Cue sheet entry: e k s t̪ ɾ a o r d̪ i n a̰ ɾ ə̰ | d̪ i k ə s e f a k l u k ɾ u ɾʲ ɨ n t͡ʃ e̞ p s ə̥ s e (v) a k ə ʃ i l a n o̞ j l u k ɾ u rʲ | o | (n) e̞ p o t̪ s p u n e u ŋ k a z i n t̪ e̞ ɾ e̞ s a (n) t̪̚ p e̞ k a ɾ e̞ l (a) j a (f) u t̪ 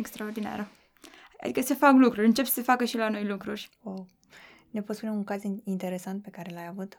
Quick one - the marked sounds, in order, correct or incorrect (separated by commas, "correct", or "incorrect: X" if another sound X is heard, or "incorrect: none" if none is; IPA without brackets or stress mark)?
incorrect: f, correct, correct, correct, incorrect: v